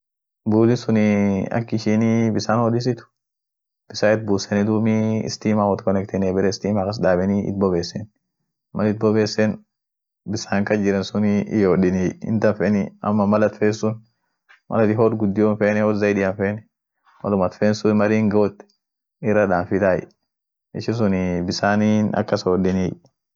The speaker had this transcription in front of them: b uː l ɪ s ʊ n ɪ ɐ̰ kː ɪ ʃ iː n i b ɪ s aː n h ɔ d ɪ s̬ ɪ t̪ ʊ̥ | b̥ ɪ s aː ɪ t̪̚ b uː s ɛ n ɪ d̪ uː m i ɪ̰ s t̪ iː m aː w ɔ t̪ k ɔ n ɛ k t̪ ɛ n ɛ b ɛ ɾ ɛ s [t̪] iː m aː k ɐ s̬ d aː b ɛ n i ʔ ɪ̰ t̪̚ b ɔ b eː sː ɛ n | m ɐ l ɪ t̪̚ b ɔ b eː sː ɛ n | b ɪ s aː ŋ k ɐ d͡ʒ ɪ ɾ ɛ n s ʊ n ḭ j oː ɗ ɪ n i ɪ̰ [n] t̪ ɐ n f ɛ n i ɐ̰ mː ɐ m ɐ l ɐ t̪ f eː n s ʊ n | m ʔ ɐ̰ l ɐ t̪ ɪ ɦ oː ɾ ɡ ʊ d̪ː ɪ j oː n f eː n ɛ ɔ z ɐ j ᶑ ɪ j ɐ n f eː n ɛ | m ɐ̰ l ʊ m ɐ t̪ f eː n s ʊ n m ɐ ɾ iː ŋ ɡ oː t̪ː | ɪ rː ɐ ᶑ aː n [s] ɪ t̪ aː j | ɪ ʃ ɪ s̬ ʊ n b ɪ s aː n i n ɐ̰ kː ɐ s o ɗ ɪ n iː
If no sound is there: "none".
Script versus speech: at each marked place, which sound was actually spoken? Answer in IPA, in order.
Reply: t̪, n, f

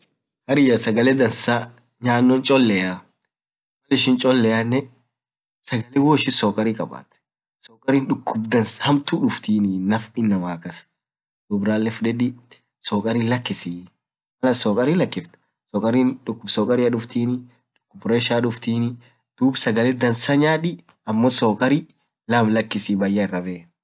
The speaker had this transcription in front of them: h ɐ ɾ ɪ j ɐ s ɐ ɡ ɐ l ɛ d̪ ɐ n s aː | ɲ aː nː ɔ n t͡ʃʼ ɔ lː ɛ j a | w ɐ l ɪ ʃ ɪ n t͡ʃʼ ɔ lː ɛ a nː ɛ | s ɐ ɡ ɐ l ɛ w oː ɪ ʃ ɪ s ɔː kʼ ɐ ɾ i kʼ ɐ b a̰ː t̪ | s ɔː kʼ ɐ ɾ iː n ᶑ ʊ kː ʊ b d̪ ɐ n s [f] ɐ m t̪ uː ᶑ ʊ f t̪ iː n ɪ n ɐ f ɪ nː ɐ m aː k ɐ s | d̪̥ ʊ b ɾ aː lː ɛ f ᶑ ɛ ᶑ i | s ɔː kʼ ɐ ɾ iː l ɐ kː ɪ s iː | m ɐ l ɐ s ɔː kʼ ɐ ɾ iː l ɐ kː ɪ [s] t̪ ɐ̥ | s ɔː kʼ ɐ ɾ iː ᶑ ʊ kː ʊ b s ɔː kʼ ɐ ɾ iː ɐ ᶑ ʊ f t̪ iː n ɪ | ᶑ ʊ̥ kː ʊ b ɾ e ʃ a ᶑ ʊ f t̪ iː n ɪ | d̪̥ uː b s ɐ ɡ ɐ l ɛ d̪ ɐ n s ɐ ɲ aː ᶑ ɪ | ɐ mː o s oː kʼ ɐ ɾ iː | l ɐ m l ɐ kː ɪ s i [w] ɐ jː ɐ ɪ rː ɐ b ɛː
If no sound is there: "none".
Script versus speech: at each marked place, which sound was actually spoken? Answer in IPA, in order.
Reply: h, f, b

